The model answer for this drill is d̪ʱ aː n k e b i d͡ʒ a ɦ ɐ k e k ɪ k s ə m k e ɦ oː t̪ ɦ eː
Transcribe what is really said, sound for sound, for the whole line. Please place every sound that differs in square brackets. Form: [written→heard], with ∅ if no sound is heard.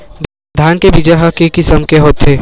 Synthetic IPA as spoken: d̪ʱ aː n k e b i d͡ʒ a ɦ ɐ k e k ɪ [k→∅] s ə m k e ɦ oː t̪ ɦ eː